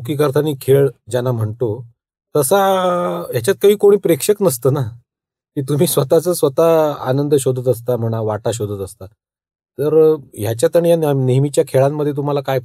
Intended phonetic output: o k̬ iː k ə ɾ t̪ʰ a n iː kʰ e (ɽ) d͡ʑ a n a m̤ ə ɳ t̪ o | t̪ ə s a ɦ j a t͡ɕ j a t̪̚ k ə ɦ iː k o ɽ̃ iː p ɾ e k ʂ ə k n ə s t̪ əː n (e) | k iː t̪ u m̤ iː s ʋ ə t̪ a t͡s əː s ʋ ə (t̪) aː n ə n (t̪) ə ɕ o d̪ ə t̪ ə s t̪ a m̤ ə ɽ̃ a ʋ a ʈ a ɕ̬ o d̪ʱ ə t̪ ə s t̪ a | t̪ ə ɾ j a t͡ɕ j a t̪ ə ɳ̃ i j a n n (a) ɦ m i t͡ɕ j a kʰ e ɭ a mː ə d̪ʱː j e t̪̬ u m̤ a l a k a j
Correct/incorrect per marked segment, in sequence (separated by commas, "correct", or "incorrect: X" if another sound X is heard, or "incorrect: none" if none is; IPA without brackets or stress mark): incorrect: ɭ, incorrect: a, correct, incorrect: d̪, incorrect: e